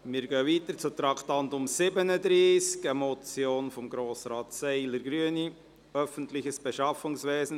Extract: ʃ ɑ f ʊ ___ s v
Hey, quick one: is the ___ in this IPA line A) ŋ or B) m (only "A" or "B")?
A